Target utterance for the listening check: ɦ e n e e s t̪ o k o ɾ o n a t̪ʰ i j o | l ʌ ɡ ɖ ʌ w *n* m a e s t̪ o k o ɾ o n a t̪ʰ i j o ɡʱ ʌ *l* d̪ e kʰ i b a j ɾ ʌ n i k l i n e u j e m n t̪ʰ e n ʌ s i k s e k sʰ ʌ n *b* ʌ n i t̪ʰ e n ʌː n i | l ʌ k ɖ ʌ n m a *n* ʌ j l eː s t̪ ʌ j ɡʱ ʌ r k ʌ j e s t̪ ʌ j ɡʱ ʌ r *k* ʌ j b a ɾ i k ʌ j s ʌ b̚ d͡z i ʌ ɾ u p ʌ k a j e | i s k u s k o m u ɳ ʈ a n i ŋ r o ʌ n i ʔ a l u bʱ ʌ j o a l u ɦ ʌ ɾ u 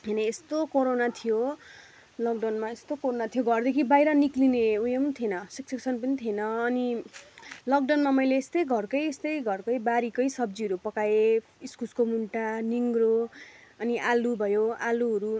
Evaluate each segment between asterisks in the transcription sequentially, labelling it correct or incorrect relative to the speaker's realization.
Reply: correct, incorrect: r, incorrect: p, incorrect: m, correct

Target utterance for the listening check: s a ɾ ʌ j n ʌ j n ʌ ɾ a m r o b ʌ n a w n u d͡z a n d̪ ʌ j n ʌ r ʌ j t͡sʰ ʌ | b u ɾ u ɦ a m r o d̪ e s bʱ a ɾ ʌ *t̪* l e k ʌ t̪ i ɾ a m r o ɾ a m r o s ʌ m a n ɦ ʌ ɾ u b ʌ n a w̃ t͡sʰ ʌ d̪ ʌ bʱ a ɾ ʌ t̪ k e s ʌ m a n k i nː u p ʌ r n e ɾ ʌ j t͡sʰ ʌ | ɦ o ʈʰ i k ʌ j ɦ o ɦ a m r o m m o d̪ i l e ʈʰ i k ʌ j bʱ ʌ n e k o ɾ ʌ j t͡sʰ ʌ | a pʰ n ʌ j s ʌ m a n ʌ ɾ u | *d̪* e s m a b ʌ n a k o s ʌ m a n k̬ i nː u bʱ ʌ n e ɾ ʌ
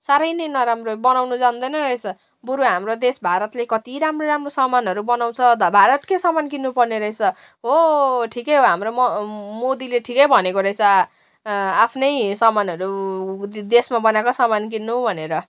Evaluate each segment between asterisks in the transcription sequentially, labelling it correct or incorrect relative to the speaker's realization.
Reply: correct, correct

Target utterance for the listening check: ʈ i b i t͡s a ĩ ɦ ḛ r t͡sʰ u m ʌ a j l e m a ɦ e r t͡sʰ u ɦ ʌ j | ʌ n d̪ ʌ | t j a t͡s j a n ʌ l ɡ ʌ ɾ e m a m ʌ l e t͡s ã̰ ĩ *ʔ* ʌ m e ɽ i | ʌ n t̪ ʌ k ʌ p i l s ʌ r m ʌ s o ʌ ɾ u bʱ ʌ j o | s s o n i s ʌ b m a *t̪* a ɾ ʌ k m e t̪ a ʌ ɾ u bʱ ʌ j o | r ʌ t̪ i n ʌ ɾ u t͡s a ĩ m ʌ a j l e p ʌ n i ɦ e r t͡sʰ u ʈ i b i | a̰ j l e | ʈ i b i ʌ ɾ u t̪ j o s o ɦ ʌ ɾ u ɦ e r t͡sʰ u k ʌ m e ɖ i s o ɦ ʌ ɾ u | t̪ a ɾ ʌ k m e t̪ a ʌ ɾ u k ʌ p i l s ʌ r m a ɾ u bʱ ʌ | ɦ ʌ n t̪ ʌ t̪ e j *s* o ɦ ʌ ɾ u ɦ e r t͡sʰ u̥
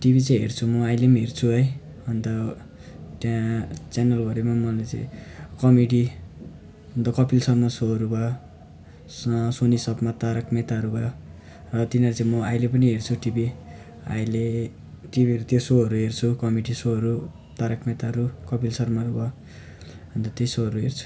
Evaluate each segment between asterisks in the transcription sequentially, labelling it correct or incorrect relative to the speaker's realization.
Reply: incorrect: k, correct, correct

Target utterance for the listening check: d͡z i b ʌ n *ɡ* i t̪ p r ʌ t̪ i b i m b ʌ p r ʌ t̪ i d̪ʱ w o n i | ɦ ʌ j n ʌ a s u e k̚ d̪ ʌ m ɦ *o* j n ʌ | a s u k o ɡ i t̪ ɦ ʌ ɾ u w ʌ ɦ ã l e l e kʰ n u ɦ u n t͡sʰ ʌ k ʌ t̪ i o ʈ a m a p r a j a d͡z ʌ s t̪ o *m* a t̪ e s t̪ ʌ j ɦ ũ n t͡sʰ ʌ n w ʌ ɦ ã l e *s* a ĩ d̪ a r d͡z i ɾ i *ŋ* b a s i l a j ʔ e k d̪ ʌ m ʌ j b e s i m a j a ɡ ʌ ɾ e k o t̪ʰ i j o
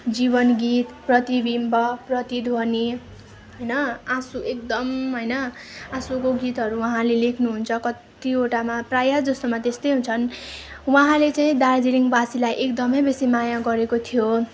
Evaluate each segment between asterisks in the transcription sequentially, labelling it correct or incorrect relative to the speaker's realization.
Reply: correct, correct, correct, incorrect: t͡s, correct

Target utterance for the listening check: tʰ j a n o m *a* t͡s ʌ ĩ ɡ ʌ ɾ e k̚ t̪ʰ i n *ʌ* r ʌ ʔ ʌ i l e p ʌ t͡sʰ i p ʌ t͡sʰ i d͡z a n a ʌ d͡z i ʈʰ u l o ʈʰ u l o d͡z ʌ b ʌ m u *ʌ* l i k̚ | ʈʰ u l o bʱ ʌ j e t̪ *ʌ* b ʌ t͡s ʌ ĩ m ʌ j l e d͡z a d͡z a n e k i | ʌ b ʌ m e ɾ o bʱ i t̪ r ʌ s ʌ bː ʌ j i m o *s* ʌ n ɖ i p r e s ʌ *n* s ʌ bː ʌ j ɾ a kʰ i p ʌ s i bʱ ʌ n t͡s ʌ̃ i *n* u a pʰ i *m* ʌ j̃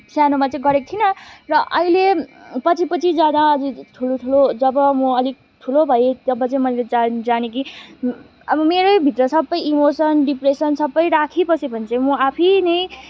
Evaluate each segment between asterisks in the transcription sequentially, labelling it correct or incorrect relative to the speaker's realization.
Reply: correct, correct, correct, correct, correct, correct, incorrect: m, incorrect: n

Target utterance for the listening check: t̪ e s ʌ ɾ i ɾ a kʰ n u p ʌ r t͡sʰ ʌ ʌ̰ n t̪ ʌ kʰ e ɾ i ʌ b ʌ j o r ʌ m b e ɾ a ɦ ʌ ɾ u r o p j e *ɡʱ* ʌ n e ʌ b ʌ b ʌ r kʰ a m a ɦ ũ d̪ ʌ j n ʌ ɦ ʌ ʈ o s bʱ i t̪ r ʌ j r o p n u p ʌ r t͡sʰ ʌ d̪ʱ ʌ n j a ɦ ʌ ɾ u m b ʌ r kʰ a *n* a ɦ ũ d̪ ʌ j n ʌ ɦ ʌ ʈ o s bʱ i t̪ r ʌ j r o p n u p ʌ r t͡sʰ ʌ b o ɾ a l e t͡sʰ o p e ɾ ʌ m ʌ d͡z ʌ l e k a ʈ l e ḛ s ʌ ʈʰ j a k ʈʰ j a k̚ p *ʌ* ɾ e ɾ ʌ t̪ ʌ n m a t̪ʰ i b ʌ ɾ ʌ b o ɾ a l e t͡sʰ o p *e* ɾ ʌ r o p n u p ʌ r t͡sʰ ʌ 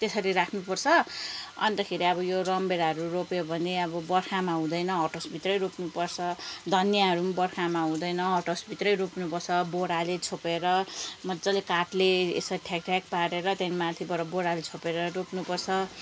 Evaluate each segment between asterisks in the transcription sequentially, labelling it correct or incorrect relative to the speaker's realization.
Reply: incorrect: bʱ, incorrect: m, incorrect: a, correct

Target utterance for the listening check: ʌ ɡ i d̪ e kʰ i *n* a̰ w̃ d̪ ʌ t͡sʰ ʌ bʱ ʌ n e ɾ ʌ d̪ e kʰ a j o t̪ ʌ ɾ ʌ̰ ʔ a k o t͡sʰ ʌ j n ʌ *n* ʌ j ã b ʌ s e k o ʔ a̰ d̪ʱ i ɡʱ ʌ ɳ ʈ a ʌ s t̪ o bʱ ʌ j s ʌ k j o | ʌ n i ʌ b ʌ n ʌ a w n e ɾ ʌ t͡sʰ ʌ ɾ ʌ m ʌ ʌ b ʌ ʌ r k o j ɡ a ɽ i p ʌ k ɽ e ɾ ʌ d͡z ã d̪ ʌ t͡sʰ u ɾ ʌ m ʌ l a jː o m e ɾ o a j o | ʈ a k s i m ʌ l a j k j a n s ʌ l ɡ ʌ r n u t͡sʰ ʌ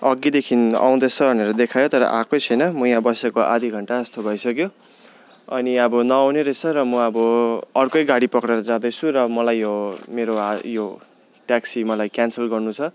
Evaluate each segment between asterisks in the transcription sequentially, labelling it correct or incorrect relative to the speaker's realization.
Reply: correct, incorrect: m

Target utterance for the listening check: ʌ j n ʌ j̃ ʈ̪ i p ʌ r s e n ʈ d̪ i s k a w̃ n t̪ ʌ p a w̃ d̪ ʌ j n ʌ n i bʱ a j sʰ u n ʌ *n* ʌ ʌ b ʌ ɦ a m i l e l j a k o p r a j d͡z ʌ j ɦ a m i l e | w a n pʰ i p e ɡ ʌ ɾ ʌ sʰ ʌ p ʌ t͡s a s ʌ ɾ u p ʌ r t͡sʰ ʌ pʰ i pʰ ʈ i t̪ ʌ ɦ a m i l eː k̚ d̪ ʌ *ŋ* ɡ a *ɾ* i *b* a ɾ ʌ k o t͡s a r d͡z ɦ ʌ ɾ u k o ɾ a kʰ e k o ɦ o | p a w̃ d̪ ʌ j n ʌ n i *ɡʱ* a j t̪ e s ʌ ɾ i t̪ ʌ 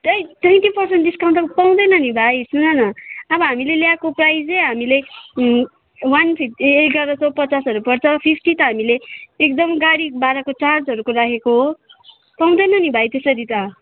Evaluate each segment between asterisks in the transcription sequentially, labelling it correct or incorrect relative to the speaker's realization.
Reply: correct, incorrect: m, incorrect: ɽ, correct, incorrect: bʱ

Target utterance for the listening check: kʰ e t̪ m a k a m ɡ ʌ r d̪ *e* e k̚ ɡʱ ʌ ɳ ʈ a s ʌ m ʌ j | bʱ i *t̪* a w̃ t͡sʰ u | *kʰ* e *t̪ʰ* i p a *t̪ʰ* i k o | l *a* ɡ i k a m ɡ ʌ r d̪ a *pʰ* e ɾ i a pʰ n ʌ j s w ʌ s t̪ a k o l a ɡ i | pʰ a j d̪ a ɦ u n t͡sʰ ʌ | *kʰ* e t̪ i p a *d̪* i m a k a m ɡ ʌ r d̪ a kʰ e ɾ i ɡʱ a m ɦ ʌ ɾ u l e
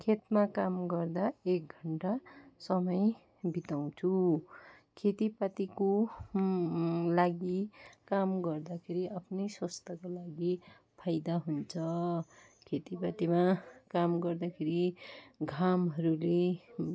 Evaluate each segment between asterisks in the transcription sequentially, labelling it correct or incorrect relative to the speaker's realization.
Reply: incorrect: a, correct, correct, incorrect: t̪, incorrect: t̪, correct, incorrect: kʰ, correct, incorrect: t̪

